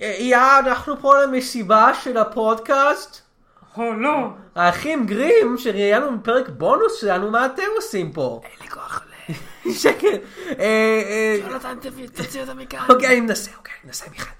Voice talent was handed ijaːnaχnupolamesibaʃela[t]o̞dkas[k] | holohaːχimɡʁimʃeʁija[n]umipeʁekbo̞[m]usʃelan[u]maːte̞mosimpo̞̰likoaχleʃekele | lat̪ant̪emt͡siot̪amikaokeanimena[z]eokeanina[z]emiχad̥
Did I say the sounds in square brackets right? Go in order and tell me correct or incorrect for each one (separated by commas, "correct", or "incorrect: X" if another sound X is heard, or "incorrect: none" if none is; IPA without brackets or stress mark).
incorrect: p, incorrect: t, correct, incorrect: n, correct, incorrect: s, incorrect: s